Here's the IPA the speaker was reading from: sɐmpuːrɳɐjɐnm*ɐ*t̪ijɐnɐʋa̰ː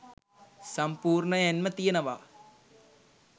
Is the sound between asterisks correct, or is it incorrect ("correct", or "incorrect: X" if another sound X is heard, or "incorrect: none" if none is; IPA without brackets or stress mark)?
correct